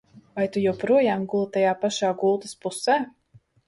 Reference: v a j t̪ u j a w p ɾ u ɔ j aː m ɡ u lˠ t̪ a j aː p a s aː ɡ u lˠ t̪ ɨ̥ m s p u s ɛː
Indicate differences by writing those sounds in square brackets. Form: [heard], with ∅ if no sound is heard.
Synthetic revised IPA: v a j t̪ u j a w p ɾ u ɔ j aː m ɡ u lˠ t̪ a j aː p a [ʃ] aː ɡ u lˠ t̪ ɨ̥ [∅] s p u s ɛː

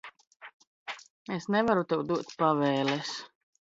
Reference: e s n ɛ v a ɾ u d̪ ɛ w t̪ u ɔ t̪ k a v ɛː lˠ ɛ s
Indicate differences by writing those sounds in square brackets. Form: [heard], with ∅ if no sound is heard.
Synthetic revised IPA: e s n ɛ v a ɾ u [t̪] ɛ w [d̪] u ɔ t̪ [p] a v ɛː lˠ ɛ s

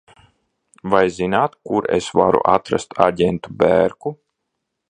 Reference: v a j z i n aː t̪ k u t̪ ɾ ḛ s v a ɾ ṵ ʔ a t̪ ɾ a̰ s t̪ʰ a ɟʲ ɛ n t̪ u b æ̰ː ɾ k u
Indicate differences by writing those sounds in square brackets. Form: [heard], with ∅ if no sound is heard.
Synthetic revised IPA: v a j z i n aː t̪ k u [∅] ɾ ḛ s v a ɾ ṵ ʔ a t̪ ɾ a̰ s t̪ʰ a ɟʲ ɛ n t̪ u b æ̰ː ɾ k u

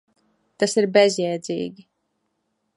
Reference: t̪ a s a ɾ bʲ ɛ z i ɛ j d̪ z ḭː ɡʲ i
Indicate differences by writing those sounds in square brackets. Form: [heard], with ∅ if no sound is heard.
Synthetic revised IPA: t̪ a s [i] ɾ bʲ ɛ z [j] ɛ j d̪ z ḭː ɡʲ i

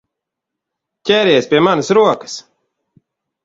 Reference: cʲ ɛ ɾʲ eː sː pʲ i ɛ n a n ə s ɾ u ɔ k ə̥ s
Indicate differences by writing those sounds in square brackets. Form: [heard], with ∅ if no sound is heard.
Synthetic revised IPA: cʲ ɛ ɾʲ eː [s] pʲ i ɛ [m] a n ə s ɾ u ɔ k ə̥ s

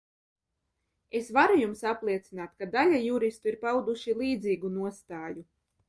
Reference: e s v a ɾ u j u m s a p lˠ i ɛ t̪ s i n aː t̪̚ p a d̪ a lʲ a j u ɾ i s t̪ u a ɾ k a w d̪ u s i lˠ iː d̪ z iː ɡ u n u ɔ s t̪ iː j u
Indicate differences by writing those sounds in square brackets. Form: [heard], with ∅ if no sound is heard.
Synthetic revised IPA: e s v a ɾ u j u m s a p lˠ i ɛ t̪ s i n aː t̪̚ [k] a d̪ a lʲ a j u ɾ i s t̪ u [i] ɾ [p] a w d̪ u [ʃ] i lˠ iː d̪ z iː ɡ u n u ɔ s t̪ [aː] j u

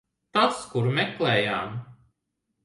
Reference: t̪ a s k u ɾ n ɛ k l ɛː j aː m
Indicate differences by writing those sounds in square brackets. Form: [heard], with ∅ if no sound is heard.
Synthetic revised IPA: t̪ a s k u ɾ [m] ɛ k l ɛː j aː m

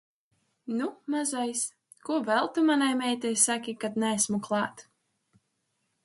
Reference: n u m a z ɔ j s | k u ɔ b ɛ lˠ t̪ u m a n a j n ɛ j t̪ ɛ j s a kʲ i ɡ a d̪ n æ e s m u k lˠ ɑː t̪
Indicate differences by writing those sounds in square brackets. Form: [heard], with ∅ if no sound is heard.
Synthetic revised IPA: n u m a z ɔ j s | k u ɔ [v] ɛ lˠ t̪ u m a n a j [m] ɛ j t̪ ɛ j s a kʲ i [k] a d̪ n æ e s m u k lˠ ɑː t̪

